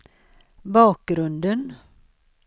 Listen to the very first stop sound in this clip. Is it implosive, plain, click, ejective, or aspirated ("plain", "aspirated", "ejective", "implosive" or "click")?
plain